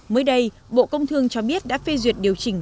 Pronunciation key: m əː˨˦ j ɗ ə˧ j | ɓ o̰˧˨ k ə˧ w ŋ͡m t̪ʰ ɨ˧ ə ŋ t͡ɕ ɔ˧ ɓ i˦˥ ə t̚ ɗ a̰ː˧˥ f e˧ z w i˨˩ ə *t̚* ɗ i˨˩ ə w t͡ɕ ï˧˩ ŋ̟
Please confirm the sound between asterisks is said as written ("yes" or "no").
yes